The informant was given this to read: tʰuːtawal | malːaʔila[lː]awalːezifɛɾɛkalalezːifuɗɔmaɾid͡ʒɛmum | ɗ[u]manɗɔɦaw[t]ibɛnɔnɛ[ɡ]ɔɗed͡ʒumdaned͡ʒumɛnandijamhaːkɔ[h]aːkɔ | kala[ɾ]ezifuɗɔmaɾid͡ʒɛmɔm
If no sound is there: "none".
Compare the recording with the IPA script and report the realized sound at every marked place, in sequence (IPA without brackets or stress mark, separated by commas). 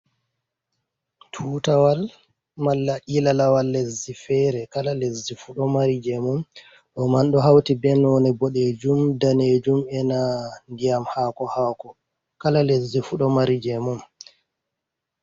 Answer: l, ɔ, t, b, h, l